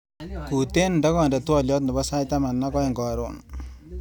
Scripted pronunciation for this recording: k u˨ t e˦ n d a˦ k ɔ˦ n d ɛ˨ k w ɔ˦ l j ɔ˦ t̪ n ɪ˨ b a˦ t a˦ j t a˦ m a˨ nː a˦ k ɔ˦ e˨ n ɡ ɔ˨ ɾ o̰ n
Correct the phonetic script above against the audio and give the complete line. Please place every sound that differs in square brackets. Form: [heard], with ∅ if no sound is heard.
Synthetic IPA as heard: k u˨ t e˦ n d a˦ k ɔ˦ n d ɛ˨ [t] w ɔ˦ l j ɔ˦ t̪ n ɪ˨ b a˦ [s] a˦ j t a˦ m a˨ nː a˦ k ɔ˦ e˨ [ŋ] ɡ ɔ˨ ɾ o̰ n